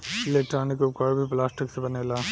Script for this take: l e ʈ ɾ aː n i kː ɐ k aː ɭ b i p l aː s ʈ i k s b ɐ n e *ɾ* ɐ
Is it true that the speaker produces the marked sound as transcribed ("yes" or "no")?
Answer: no